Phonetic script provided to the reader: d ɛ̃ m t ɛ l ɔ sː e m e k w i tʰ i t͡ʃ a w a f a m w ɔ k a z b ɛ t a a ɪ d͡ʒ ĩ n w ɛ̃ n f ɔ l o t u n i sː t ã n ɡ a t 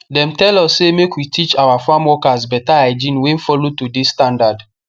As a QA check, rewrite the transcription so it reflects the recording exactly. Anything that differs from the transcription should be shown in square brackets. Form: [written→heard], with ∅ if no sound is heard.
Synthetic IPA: d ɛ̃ m t ɛ l ɔ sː e m e k w i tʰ i t͡ʃ a w a f a m w ɔ k a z b ɛ t a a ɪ d͡ʒ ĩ n w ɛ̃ n f ɔ l o t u [n→d] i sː t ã n [ɡ→d] a [t→d]

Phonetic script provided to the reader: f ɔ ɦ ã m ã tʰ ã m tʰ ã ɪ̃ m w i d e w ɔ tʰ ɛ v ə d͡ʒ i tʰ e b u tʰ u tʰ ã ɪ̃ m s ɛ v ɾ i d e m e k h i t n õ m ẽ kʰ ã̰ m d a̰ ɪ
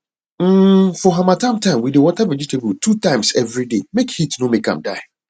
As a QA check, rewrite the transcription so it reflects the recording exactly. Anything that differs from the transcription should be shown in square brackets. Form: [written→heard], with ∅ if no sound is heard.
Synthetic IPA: f ɔ ɦ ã m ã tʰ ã m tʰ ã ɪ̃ m w i d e w ɔ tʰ ɛ v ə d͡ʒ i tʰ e b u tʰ u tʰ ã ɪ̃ m s ɛ v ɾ i d e m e k h i t n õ m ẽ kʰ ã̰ m d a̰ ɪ

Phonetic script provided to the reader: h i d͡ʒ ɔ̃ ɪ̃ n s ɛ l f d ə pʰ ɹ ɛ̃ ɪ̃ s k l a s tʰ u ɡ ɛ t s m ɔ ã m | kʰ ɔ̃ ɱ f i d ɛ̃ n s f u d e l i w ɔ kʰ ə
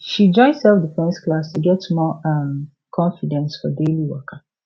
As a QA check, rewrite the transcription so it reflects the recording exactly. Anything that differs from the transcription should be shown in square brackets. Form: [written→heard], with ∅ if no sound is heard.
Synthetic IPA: [h→ʃ] i d͡ʒ ɔ̃ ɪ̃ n s ɛ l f d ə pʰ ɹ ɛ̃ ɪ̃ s k l a s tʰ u ɡ ɛ t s m ɔ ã m | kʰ ɔ̃ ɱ f i d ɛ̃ n s f [u→ɔ] d e l i w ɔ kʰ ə

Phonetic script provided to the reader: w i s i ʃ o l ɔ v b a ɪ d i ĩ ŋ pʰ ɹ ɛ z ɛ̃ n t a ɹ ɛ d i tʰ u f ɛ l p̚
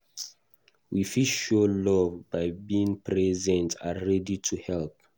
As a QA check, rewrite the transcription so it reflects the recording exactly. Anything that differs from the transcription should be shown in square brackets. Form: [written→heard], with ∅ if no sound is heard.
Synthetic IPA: w i [s→f] i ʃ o l ɔ v b a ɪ [d→b] i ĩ ŋ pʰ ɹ ɛ z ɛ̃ n t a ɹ ɛ d i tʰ u [f→h] ɛ l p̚

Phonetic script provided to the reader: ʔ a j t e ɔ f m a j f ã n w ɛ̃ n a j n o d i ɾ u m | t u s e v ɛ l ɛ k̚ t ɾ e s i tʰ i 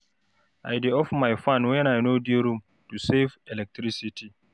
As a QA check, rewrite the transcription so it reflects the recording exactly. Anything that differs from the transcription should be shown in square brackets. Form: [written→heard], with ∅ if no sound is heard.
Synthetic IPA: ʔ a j [t→d] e ɔ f m a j f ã n w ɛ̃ n a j n o d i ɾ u m | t u s e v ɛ l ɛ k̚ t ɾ [e→i] s i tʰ i

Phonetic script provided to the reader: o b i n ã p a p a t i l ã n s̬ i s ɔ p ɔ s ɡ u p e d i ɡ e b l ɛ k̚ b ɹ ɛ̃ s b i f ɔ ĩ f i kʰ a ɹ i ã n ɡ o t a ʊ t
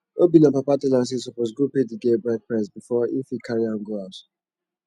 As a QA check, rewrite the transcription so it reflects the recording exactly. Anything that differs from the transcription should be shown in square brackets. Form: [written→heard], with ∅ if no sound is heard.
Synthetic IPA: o b i n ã p a p a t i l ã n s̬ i s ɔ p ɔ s ɡ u p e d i ɡ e b [l→ɹ] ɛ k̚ [b→p] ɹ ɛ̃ s b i f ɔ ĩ f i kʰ a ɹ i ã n ɡ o [t→∅] a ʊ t

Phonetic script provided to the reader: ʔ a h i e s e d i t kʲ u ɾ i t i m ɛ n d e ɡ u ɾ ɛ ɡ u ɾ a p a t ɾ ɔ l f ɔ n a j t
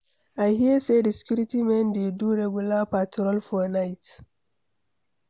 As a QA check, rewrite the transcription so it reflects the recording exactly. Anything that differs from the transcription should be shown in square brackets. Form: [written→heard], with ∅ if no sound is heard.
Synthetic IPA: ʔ a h i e s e d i [t→s] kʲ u ɾ i t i m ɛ n d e [ɡ→d] u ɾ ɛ ɡ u [ɾ→l] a p a t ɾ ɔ l f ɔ n a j t

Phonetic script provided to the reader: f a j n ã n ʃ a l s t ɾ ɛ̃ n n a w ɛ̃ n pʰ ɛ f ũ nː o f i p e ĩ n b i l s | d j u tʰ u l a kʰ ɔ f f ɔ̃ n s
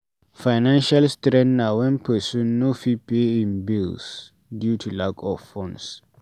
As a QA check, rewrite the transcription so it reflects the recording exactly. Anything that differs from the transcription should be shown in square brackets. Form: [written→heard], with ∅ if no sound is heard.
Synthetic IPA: f a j n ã n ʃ a l s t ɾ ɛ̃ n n a w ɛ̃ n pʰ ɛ [f→s] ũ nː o f i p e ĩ n b i l s | d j u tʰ u l a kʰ ɔ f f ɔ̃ n s

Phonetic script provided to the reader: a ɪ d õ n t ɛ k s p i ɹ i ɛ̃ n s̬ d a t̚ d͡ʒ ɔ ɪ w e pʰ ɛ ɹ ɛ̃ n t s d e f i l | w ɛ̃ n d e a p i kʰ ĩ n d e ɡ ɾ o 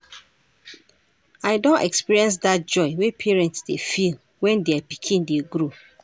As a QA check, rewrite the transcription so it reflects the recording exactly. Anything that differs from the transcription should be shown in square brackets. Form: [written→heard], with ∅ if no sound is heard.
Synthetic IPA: a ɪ d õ n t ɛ k s p i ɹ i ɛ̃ n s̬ d a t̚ d͡ʒ ɔ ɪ w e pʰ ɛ ɹ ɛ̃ n t s d e f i l | w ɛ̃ n d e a p i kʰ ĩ n d e ɡ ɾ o

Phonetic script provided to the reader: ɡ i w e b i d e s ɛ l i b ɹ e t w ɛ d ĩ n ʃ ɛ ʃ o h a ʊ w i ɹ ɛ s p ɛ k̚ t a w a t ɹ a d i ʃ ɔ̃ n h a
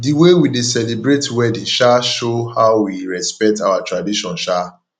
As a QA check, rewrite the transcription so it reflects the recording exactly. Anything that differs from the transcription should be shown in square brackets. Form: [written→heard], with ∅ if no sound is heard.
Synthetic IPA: [ɡ→d] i w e [b→w] i d e s ɛ l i b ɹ e t w ɛ d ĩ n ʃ [ɛ→a] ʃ o h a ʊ w i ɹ ɛ s p ɛ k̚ t a w a t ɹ a d i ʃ ɔ̃ n [h→ʃ] a

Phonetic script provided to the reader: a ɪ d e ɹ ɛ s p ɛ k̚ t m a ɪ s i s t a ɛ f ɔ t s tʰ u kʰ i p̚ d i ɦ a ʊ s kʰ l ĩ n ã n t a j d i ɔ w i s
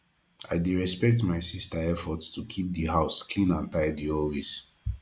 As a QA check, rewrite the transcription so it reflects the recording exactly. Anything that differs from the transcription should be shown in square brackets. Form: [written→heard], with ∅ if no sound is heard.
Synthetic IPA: a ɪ d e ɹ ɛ s p ɛ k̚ t m a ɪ s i s t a ɛ f ɔ t s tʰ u kʰ i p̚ d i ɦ a ʊ s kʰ l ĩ n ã n t a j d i ɔ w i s

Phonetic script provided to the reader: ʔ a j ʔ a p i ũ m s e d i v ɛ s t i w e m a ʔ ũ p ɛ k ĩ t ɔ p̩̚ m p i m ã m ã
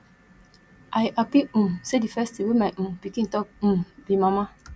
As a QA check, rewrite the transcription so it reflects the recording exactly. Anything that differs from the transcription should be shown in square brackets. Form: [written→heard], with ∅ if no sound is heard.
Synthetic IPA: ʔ a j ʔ a p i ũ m s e d i [v→f] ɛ s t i w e m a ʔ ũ p [ɛ→i] k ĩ t ɔ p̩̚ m [p→b] i m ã m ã

